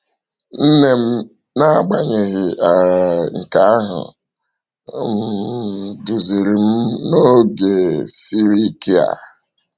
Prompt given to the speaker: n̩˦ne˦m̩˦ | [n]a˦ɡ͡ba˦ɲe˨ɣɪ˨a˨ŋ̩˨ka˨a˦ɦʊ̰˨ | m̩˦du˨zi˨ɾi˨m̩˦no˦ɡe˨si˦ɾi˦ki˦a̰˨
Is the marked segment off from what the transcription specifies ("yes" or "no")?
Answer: no